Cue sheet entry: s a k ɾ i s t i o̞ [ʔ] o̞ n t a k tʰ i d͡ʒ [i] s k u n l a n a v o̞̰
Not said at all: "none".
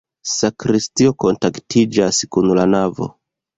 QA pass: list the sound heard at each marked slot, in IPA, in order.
k, a

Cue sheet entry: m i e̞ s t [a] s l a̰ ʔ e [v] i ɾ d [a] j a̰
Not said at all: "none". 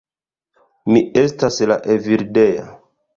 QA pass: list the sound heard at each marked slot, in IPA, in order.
a, v, e

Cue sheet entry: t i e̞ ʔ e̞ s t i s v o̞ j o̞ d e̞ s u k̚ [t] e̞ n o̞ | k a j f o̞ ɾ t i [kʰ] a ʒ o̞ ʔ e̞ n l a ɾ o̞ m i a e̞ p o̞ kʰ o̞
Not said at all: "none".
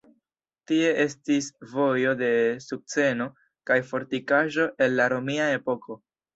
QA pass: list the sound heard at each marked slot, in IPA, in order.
t͡s, k

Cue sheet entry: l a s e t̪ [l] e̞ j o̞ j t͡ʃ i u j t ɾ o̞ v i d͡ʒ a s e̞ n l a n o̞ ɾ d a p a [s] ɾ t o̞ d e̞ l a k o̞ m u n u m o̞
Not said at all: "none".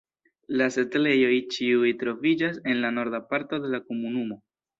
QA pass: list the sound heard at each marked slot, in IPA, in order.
l, none

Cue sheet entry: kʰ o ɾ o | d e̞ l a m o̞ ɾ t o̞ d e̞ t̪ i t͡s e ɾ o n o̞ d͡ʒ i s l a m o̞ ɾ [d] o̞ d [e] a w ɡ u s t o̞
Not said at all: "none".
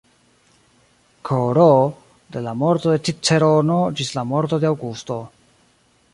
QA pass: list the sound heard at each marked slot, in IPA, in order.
t, e

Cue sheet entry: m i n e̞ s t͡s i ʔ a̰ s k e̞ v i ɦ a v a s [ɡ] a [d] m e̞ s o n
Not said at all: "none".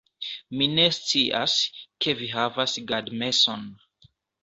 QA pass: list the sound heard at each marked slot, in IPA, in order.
ɡ, d

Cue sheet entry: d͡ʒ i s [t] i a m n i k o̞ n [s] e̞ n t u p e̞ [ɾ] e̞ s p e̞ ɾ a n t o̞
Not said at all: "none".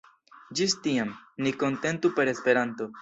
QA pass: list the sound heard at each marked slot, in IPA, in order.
t, t, ɾ

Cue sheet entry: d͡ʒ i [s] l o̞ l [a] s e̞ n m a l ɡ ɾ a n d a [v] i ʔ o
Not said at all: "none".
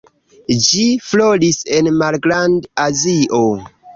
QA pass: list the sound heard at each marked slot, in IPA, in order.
f, i, z

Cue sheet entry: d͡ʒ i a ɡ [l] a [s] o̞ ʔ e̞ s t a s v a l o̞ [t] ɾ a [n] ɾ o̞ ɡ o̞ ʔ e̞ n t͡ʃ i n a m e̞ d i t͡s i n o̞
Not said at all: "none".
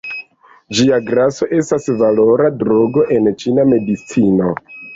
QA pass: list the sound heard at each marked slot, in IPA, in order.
ɾ, s, none, d

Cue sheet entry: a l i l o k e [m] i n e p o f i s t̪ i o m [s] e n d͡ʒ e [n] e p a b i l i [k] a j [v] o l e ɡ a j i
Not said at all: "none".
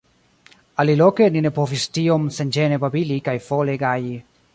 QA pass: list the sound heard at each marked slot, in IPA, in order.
n, s, n, k, f

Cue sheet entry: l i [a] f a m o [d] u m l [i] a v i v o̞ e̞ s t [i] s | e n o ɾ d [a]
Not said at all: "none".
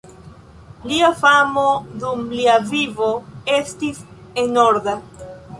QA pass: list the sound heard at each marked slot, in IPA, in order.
a, d, i, i, a

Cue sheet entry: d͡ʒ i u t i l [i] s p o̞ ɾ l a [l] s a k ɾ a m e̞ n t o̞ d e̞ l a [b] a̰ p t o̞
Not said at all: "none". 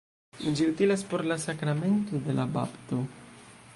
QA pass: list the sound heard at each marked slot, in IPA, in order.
a, none, b

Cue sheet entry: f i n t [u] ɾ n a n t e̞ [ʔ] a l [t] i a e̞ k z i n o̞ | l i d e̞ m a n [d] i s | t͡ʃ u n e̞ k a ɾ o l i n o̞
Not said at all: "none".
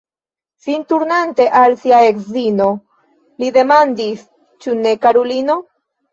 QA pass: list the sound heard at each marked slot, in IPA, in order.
u, ʔ, s, d

